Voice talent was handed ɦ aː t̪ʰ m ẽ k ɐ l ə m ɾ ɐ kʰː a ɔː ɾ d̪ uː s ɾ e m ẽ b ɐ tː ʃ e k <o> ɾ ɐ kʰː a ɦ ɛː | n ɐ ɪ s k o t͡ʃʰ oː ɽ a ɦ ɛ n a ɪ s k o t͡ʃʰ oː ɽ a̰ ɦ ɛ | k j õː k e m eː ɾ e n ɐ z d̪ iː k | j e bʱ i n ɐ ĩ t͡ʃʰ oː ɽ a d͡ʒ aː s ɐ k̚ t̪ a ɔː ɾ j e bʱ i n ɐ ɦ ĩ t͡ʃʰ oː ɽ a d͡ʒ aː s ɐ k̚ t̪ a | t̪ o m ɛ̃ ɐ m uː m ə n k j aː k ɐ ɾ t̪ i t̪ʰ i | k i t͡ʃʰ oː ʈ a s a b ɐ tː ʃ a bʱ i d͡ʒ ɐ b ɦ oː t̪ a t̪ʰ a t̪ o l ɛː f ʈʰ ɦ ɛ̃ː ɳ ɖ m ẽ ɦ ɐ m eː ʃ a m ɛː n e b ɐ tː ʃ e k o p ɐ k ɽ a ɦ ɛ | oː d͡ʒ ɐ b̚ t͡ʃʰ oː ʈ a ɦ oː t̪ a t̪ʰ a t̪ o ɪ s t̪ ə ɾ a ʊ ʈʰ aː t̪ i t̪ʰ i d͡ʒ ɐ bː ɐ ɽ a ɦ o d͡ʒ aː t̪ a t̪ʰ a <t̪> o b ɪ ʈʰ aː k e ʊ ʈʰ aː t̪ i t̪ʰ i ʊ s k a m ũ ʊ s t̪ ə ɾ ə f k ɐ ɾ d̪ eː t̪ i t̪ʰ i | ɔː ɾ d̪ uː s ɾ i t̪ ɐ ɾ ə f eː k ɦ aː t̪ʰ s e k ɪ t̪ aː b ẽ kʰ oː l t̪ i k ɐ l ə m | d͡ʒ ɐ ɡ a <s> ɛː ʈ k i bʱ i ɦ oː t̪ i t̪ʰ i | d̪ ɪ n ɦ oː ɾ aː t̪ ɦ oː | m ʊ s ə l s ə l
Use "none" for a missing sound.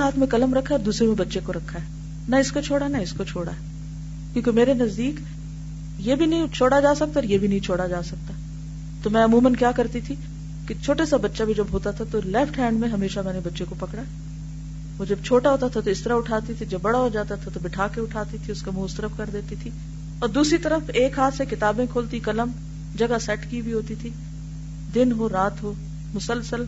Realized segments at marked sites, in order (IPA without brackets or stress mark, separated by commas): o, t̪, s